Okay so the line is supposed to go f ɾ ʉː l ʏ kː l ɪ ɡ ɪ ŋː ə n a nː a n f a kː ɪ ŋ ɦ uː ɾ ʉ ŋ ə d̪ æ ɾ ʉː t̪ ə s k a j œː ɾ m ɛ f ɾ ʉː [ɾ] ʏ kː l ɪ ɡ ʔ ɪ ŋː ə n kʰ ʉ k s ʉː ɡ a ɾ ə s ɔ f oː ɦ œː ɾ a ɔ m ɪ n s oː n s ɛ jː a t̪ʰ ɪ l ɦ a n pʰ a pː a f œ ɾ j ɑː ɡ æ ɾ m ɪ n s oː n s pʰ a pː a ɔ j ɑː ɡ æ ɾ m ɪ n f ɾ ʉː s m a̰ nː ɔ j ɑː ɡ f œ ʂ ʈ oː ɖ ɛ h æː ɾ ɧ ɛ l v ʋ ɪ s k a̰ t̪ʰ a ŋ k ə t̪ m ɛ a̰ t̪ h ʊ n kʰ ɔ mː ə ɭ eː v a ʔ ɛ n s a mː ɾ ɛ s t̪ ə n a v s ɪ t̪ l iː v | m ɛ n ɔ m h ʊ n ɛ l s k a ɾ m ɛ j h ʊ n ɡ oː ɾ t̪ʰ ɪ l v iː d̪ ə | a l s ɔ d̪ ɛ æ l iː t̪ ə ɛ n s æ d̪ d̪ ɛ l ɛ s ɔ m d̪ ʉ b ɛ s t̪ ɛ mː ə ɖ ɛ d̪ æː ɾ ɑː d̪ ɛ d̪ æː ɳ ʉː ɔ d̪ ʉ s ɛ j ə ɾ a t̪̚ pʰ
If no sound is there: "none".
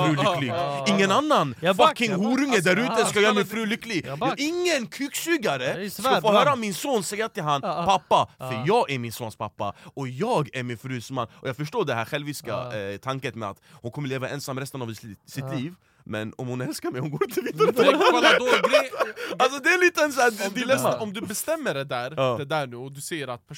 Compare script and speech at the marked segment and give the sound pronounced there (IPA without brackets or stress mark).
l